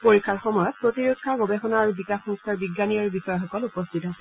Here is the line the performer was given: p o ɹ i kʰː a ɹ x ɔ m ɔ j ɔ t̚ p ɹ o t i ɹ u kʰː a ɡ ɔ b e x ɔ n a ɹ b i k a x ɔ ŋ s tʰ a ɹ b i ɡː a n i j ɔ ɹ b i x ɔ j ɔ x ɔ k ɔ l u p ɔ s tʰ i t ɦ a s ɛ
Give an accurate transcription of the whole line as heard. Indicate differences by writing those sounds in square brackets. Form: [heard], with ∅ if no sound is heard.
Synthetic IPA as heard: p o ɹ i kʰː a ɹ x ɔ m ɔ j ɔ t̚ p ɹ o t i ɹ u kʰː a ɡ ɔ b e x ɔ n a ɹ b i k a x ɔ ŋ s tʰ a ɹ b i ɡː a n i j ɔ ɹ b i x ɔ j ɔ x ɔ k ɔ l u p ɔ s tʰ i t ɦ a s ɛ